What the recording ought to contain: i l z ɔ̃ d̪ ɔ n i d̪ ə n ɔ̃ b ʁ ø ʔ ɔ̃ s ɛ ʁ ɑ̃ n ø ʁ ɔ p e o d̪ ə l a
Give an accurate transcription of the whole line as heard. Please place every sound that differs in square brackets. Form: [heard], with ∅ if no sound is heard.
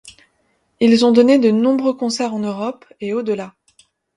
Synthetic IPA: i l z ɔ̃ d̪ ɔ n [e] d̪ ə n ɔ̃ b ʁ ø [k] ɔ̃ s ɛ ʁ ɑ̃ n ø ʁ ɔ p e o d̪ ə l a